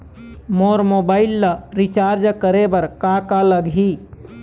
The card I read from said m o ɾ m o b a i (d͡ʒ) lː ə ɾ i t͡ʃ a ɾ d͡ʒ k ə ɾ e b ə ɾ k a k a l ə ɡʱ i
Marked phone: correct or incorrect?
incorrect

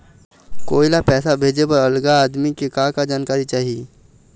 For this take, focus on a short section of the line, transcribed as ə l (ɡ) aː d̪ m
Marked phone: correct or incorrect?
correct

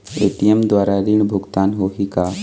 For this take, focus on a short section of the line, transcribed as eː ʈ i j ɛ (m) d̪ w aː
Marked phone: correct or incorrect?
correct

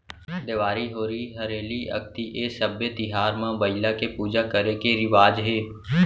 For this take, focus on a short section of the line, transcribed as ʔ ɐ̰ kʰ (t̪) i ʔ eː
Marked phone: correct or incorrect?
correct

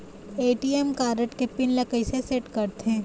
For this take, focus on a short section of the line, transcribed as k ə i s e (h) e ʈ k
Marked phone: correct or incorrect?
incorrect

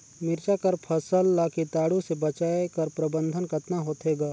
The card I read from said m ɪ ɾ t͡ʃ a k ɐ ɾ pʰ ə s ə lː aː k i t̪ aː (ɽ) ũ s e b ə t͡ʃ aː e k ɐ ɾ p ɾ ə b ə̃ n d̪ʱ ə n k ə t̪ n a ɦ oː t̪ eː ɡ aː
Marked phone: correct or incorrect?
correct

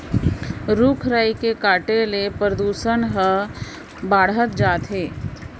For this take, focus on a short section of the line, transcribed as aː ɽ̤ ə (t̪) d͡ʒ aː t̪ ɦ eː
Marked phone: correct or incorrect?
correct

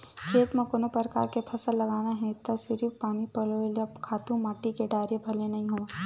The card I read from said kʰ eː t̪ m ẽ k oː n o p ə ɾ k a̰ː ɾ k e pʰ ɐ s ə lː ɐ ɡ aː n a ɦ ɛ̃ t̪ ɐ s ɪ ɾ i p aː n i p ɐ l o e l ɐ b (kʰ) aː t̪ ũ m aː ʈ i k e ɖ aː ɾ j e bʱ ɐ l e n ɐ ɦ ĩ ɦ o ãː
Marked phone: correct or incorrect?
correct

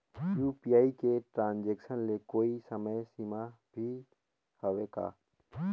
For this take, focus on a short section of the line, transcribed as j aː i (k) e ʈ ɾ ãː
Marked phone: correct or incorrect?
correct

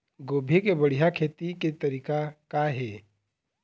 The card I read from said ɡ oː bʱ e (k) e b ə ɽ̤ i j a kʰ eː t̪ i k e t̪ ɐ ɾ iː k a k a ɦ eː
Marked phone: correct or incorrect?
correct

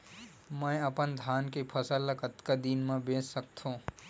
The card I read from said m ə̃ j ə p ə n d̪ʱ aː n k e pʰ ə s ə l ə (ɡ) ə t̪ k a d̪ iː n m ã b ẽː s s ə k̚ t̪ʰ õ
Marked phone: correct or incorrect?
incorrect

